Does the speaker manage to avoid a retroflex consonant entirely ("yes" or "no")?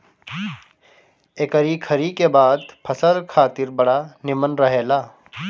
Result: no